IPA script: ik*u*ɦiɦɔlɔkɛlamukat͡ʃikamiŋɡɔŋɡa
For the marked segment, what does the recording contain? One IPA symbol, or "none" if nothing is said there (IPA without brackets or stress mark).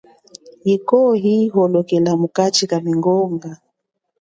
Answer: ɔ